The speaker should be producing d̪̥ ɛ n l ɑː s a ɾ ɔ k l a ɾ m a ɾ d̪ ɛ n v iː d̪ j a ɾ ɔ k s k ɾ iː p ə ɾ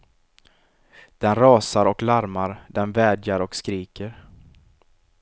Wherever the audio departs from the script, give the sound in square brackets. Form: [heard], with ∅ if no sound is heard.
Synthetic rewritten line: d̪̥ ɛ n [ɾ] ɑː s a ɾ ɔ k l a ɾ m a ɾ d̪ ɛ n v [ɛː] d̪ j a ɾ ɔ k s k ɾ iː [k] ə ɾ